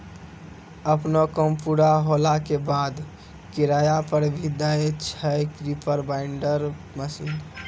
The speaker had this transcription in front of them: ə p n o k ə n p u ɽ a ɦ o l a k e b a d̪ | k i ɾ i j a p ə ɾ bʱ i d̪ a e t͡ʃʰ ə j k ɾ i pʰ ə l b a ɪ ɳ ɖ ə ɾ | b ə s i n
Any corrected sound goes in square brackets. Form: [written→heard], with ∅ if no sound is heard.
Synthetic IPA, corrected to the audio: ə p n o k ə [n→m] p u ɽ a ɦ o l a k e b a d̪ | k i ɾ [i→a] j a p ə ɾ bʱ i d̪ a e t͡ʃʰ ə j k ɾ i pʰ ə [l→ɾ] b a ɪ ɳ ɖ ə ɾ | [b→m] ə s i n